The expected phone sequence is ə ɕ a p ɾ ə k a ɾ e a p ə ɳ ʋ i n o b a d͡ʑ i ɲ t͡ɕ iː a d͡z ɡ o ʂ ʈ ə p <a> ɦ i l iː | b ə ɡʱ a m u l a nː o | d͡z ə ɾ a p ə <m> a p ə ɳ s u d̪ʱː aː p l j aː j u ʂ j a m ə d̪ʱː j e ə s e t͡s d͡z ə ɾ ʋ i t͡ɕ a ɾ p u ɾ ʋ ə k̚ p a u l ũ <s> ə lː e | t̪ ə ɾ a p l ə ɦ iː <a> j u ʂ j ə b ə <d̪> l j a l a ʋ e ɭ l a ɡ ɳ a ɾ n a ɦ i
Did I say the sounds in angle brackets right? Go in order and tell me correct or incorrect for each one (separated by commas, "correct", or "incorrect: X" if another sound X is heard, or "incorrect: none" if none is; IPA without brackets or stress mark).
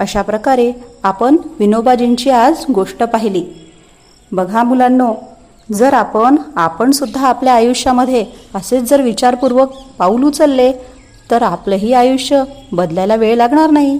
correct, incorrect: ɳ, incorrect: t͡s, correct, correct